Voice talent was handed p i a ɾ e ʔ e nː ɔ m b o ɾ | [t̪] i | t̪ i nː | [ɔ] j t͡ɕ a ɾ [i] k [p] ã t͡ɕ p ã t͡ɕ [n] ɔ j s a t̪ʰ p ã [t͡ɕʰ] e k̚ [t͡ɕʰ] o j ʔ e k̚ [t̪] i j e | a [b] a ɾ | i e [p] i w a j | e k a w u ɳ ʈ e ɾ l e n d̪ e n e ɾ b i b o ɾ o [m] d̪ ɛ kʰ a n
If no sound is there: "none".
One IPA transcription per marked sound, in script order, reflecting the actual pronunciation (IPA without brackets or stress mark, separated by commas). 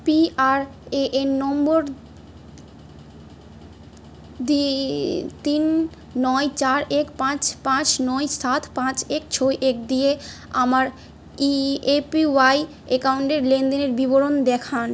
d̪, ɔ, e, p, n, t͡ɕ, t͡ɕʰ, d̪, m, p, n